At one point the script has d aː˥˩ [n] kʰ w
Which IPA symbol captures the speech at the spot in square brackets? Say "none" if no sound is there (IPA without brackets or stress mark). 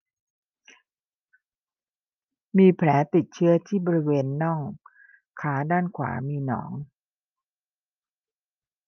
n